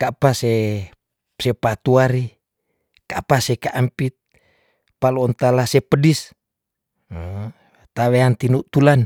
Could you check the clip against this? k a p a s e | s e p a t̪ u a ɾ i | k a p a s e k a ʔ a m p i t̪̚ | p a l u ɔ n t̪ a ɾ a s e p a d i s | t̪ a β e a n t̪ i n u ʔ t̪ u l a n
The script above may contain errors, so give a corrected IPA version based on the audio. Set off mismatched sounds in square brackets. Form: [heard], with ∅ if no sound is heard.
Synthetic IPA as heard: k a p a s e | s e p a t̪ u a ɾ i | k a p a s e k a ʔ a m p i t̪̚ | p a l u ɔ n t̪ a [l] a s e p [ə] d i s | t̪ a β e a n t̪ i n u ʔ t̪ u l a n